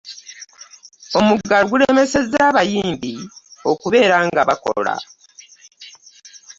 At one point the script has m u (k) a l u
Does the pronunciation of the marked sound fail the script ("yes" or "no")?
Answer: yes